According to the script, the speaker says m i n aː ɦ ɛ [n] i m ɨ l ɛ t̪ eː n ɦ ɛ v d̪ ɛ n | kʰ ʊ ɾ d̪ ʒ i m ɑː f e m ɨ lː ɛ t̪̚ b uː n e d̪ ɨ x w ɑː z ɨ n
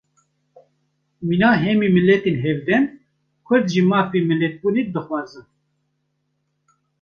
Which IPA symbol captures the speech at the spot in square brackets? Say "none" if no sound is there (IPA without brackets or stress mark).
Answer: m